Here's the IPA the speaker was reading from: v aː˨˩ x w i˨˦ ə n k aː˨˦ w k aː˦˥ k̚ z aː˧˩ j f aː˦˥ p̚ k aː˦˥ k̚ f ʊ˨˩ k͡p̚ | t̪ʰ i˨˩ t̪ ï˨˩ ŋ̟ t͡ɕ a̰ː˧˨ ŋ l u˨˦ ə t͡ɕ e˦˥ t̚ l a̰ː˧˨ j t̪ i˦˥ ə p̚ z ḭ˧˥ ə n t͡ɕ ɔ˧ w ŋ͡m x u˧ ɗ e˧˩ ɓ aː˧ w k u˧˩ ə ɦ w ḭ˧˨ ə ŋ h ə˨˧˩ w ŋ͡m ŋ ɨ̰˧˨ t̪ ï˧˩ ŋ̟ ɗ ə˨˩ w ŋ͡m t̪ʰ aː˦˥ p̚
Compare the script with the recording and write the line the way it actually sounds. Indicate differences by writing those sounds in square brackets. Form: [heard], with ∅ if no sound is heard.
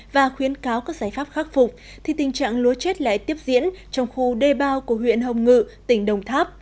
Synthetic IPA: v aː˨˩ x w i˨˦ ə n k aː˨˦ w k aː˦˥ k̚ z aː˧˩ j f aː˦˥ p̚ [x] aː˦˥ k̚ f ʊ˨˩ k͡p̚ | t̪ʰ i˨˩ t̪ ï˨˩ ŋ̟ t͡ɕ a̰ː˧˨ ŋ l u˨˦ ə t͡ɕ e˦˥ t̚ l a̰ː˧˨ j t̪ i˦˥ ə p̚ z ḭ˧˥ ə n t͡ɕ ɔ˧ w ŋ͡m x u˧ ɗ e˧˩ ɓ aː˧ w k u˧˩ ə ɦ w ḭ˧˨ ə [n] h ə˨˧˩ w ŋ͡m ŋ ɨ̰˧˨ t̪ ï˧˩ ŋ̟ ɗ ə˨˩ w ŋ͡m t̪ʰ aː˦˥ p̚